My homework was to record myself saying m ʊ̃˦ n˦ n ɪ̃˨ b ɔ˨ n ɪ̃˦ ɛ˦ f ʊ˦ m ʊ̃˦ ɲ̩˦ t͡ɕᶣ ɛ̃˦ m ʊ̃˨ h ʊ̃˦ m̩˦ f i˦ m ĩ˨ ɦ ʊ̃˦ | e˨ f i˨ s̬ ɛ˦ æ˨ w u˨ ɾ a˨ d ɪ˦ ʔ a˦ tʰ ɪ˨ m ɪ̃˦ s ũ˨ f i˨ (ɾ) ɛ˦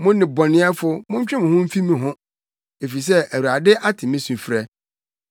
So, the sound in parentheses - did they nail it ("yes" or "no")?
yes